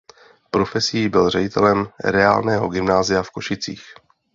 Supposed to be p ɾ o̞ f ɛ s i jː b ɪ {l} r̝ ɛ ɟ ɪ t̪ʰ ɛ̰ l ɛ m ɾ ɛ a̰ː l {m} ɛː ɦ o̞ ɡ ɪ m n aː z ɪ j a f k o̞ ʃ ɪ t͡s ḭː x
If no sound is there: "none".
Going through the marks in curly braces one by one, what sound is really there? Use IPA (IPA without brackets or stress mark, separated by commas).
l, n